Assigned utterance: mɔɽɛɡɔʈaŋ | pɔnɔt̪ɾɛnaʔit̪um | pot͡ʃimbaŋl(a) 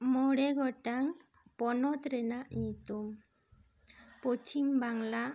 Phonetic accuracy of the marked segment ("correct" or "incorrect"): correct